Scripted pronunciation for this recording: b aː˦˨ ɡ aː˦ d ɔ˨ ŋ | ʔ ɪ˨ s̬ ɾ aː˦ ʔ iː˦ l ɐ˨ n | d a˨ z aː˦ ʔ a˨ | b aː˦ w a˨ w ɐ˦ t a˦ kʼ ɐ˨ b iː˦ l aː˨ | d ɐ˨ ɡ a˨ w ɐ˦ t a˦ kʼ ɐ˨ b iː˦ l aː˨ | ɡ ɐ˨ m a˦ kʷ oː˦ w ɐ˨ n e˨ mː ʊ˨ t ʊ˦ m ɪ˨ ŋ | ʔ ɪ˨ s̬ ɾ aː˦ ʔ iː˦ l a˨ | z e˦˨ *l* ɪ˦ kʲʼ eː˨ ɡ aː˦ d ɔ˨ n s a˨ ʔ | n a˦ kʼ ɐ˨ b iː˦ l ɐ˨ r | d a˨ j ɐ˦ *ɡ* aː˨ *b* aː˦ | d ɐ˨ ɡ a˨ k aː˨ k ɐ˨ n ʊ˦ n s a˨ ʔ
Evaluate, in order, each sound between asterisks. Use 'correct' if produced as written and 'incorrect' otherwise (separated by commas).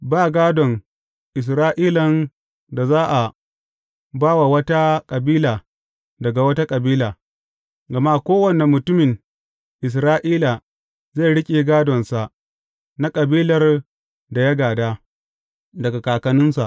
incorrect, correct, incorrect